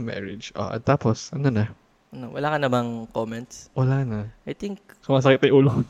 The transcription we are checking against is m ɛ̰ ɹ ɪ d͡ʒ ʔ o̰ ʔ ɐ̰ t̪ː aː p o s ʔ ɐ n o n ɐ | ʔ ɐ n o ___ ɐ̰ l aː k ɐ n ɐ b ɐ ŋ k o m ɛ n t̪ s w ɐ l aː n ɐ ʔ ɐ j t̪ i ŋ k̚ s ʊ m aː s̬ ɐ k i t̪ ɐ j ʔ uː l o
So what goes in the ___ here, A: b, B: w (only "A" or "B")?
B